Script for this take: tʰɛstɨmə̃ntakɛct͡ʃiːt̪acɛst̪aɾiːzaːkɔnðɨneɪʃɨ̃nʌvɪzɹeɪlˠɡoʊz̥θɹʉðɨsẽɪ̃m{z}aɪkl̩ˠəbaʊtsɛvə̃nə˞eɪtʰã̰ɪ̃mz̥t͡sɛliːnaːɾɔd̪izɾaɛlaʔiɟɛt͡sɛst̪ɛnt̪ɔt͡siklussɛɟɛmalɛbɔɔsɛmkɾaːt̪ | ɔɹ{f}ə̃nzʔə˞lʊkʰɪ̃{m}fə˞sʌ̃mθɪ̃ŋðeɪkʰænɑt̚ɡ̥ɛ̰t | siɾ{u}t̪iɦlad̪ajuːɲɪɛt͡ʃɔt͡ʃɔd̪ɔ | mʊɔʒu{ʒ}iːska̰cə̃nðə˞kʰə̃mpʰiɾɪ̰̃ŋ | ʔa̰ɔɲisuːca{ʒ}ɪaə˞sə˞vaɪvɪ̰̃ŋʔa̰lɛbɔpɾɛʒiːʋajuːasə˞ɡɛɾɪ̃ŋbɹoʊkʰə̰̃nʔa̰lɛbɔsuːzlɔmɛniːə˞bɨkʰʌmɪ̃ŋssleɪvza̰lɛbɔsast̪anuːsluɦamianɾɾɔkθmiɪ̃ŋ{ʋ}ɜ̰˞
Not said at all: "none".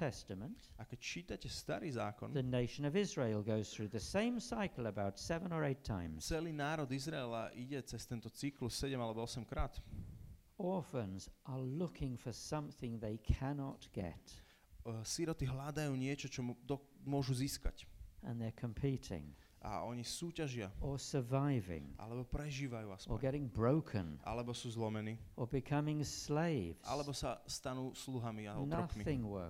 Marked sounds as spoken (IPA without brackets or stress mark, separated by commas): s, f, ŋ, ɔ, z, ʒ, w